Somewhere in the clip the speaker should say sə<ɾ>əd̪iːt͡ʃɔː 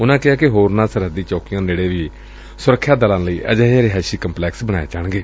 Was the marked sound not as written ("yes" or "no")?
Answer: no